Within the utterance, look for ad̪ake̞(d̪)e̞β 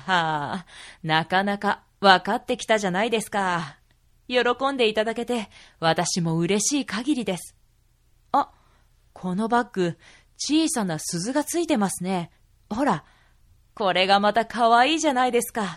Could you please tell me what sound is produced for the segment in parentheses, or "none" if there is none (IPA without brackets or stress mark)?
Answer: t̪